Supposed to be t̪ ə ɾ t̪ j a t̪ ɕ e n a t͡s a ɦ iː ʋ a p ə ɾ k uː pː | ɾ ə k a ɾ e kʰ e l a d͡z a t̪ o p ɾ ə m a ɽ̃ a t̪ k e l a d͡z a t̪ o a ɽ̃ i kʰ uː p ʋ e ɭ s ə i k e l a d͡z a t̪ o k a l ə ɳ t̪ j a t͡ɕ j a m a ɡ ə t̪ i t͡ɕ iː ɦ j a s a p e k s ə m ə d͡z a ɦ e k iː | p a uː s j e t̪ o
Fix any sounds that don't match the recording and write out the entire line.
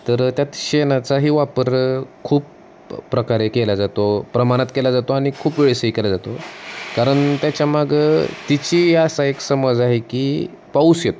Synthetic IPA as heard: t̪ ə ɾ t̪ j a t̪ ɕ e n a t͡s a ɦ iː ʋ a p ə ɾ kʰ uː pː | ɾ ə k a ɾ e k e l a d͡z a t̪ o p ɾ ə m a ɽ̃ a t̪ k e l a d͡z a t̪ o a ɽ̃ i kʰ uː p ʋ e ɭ s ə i k e l a d͡z a t̪ o k a ɾ ə ɳ t̪ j a t͡ɕ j a m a ɡ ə t̪ i t͡ɕ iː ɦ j a s a e k s ə m ə d͡z a ɦ e k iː | p a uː s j e t̪ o